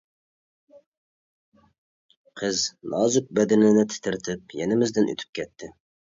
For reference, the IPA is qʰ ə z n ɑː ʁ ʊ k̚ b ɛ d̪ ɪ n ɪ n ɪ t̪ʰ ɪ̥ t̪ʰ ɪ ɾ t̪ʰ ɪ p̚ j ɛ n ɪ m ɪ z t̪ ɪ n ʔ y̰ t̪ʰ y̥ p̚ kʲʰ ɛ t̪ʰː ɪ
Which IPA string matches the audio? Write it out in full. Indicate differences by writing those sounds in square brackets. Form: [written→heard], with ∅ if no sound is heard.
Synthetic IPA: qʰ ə z n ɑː [ʁ→z] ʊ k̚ b ɛ d̪ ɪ n ɪ n ɪ t̪ʰ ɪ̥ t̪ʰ ɪ ɾ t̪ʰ ɪ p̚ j ɛ n ɪ m ɪ z [t̪→d̪] ɪ n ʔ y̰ t̪ʰ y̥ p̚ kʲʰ ɛ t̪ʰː ɪ